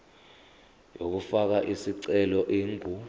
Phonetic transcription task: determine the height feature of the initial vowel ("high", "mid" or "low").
mid